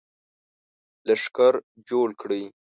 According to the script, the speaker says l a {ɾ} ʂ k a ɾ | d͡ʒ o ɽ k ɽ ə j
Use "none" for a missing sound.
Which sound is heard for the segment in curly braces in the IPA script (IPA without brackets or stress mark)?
none